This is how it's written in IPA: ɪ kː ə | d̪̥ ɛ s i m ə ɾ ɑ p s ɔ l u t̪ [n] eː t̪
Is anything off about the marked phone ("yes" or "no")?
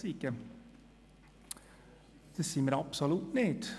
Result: no